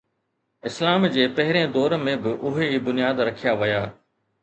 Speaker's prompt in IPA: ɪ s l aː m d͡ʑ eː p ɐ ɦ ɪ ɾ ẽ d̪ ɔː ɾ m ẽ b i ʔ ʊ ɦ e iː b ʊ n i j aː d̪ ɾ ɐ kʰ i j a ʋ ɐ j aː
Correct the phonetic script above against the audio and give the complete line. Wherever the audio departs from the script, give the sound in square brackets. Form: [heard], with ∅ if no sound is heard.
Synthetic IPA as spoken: ɪ s l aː m d͡ʑ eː p ɐ ɦ ɪ ɾ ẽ d̪ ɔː ɾ m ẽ b [ɪ] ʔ ʊ ɦ e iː b ʊ n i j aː d̪ ɾ ɐ kʰ i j a ʋ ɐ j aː